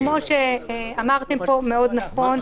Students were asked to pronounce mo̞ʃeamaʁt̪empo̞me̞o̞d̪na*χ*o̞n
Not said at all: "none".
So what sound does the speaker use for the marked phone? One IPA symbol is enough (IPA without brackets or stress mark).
χ